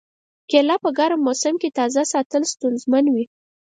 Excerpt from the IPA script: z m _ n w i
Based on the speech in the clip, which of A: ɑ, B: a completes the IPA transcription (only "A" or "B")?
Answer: B